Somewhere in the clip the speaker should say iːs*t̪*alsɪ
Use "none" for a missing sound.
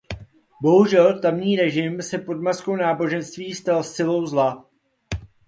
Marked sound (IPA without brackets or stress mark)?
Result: t̪